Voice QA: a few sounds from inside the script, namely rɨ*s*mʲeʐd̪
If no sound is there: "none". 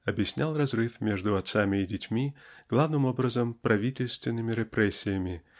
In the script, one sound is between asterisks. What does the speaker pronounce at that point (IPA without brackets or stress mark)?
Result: f